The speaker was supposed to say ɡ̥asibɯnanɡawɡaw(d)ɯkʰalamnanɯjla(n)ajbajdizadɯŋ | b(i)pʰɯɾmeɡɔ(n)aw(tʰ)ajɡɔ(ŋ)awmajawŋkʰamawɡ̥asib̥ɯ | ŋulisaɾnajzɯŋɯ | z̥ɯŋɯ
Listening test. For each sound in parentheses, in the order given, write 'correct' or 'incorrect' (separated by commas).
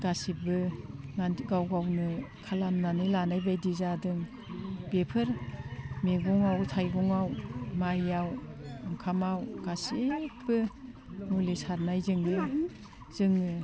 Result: incorrect, correct, incorrect, incorrect, correct, correct